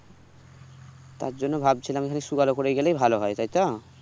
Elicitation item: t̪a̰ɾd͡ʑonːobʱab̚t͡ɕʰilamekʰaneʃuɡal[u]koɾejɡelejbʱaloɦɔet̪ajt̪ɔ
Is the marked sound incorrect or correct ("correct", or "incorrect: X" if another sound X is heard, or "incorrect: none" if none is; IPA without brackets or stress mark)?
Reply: incorrect: o